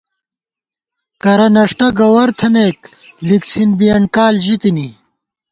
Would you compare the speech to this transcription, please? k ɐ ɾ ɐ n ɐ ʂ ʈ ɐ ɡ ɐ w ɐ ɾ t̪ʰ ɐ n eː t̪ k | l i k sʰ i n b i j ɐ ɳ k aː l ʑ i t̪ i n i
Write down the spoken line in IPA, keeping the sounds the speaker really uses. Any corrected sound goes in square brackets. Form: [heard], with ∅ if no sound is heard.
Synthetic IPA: k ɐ ɾ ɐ n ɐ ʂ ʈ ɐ ɡ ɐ w ɐ ɾ t̪ʰ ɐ n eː [∅] k | l i k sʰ i n b i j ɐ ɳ k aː l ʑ i t̪ i n i